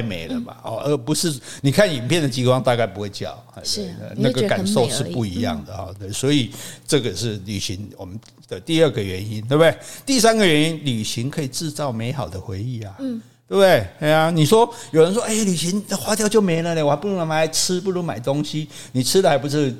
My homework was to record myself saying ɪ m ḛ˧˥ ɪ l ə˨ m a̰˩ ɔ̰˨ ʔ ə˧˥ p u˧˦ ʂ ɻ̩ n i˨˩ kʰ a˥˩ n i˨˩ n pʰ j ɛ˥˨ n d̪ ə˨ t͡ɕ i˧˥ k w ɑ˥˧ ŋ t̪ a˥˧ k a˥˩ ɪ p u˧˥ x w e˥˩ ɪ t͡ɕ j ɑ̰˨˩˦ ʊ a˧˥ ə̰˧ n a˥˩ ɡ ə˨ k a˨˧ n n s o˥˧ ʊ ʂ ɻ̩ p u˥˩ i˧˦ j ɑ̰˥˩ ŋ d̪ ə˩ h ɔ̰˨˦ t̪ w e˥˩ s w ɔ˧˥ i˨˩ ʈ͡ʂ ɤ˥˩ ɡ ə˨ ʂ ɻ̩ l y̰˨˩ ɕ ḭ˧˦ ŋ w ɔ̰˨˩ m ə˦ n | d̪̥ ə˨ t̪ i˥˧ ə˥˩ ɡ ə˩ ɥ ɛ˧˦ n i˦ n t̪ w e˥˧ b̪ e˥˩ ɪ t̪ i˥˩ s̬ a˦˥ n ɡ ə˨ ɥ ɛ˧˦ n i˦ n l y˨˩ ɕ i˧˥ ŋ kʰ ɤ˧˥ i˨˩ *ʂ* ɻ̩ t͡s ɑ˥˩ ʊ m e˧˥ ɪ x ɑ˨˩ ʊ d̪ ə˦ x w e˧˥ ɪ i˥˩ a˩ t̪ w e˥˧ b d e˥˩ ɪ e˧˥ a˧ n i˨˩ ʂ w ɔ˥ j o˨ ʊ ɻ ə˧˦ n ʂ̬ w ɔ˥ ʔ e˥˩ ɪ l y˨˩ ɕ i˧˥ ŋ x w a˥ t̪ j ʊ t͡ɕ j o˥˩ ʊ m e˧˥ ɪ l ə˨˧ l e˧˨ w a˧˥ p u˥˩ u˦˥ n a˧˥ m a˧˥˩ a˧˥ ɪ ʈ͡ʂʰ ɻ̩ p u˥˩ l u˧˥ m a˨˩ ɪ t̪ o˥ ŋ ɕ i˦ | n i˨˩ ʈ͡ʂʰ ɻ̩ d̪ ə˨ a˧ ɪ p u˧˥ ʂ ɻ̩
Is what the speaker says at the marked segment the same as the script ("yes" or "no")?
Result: no